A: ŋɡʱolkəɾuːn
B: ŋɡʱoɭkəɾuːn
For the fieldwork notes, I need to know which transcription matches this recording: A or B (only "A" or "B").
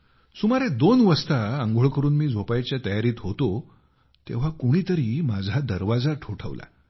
B